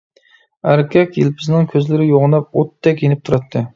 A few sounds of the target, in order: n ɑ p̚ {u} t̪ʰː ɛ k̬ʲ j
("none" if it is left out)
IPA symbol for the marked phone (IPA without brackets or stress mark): o